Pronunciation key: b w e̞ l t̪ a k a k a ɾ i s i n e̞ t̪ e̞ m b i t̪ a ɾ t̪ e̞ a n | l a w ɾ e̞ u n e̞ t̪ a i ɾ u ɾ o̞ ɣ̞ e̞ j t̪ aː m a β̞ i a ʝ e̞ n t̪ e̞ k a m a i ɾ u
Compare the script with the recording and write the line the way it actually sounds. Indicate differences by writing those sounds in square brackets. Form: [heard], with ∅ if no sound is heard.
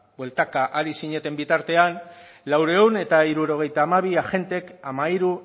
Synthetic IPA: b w e̞ l t̪ a k a [ʔ] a ɾ i s i [ɲ] e̞ t̪ e̞ m b i t̪ a ɾ t̪ e̞ a n | l a w ɾ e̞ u n e̞ t̪ a i ɾ u ɾ o̞ ɣ̞ e̞ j t̪ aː m a β̞ i a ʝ e̞ n t̪ e̞ k a m a i ɾ u

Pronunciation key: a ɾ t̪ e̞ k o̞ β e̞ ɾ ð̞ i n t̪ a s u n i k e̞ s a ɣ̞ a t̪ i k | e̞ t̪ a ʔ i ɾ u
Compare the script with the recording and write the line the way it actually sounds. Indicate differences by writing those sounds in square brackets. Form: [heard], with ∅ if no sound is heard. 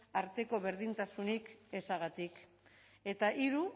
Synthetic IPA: a ɾ t̪ e̞ k o̞ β e̞ ɾ ð̞ i n t̪ a s u n i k e̞ s a ɣ̞ a t̪ i k | e̞ t̪ a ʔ i ɾ u

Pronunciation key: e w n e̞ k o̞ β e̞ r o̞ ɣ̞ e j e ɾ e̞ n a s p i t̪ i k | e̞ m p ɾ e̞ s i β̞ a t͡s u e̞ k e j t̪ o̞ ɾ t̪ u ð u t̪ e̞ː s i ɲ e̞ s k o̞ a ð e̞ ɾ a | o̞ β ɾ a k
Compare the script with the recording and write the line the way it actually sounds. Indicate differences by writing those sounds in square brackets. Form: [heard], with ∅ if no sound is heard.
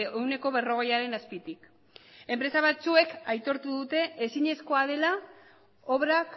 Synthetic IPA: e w n e̞ k o̞ β e̞ r o̞ ɣ̞ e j [a] ɾ e̞ n a s p i t̪ i k | e̞ m p ɾ e̞ s [a] β̞ a t͡s u e̞ k [a] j t̪ o̞ ɾ t̪ u ð u t̪ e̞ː s i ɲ e̞ s k o̞ a ð e̞ [l] a | o̞ β ɾ a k

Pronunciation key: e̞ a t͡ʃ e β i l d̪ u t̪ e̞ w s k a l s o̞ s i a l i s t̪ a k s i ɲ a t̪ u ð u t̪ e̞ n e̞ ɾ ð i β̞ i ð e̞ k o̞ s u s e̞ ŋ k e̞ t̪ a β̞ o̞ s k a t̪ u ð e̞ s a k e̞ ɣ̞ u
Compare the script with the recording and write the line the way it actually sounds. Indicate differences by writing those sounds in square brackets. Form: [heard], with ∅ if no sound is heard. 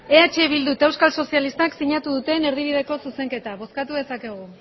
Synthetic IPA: e̞ a t͡ʃ e β i l d̪ u t̪ e̞ w s k a l s o̞ s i a l i s t̪ a k s i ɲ a t̪ u ð u t̪ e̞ n e̞ ɾ ð i β̞ i ð e̞ k o̞ s u s e̞ ŋ k e̞ t̪ a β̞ o̞ s k a t̪ u ð e̞ s a k e̞ ɣ̞ u

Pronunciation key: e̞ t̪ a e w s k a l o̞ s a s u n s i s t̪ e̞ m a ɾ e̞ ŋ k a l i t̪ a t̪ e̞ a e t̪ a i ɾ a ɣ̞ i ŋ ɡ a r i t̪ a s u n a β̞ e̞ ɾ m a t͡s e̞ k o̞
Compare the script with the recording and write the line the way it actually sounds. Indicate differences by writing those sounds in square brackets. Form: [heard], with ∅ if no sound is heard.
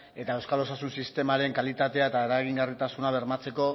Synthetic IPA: e̞ t̪ a e w s k a l o̞ s a s u n s i s t̪ e̞ m a ɾ e̞ ŋ k a l i t̪ a t̪ e̞ a e t̪ a [e] ɾ a ɣ̞ i ŋ ɡ a r i t̪ a s u n a β̞ e̞ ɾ m a t͡s e̞ k o̞

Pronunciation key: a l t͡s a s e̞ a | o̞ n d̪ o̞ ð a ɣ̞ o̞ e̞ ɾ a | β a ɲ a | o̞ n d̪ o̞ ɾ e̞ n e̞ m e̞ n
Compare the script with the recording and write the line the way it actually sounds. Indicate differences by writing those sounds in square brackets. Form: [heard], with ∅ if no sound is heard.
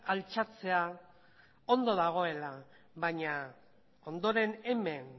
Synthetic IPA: a l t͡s a [t͡s] e̞ a | o̞ n d̪ o̞ ð a ɣ̞ o̞ e̞ [l] a | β a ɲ a | o̞ n d̪ o̞ ɾ e̞ n e̞ m e̞ n

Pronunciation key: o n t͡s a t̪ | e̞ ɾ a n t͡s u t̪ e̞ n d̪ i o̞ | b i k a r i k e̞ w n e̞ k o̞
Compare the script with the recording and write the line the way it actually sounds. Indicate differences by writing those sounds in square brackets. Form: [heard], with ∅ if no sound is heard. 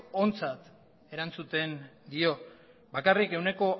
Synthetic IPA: o n t͡s a t̪ | e̞ ɾ a n t͡s u t̪ e̞ n d̪ i o̞ | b [a] k a r i k e̞ w n e̞ k o̞

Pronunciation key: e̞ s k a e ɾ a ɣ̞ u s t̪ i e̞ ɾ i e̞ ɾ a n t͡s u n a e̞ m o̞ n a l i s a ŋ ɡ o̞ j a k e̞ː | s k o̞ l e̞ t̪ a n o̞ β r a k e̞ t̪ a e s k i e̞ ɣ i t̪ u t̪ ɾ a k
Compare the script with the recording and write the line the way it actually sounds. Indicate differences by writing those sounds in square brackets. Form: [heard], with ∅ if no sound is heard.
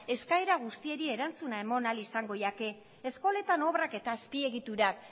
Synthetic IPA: e̞ s k a e ɾ a ɣ̞ u s t̪ i e̞ ɾ i e̞ ɾ a n t͡s u n a e̞ m o̞ n a l i s a ŋ ɡ o̞ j a k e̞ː | s k o̞ l e̞ t̪ a n o̞ β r a k e̞ t̪ a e s [p] i e̞ ɣ i t̪ u [∅] ɾ a k

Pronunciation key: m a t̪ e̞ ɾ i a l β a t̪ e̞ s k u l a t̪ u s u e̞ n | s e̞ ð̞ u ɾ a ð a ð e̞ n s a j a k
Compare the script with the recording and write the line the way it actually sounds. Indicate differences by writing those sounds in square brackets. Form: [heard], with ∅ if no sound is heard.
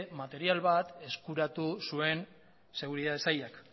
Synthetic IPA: m a t̪ e̞ ɾ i a l β a t̪ e̞ s k u [ɾ] a t̪ u s u e̞ n | s e̞ [ɣ̞] u ɾ [i] ð a ð e̞ [∅] s a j a k

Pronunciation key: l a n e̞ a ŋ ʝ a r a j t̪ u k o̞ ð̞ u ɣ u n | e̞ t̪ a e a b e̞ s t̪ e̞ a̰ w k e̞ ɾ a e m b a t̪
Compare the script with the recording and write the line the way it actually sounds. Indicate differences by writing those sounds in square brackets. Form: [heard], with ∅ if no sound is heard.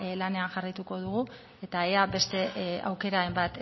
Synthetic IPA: l a n e̞ a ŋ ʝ a r a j t̪ u k o̞ ð̞ u ɣ u [∅] | e̞ t̪ a e a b e̞ s t̪ e̞ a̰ w k e̞ ɾ a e m b a t̪

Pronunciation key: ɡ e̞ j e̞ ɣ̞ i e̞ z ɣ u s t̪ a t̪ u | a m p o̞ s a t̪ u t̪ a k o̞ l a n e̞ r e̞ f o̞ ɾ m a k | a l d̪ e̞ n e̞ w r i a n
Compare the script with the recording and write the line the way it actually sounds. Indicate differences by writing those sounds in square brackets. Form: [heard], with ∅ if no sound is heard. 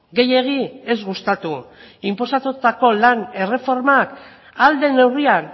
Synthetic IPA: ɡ e̞ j e̞ ɣ̞ i e̞ z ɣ u s t̪ a t̪ u | [i] m p o̞ s a t̪ u t̪ a k o̞ l a n e̞ r e̞ f o̞ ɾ m a k | a l d̪ e̞ n e̞ w r i a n

